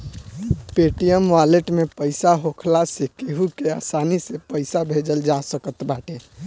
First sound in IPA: p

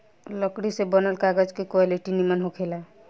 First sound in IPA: l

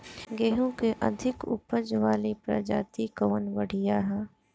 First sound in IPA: ɡ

